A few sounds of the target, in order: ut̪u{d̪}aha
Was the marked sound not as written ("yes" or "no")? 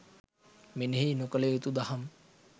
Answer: no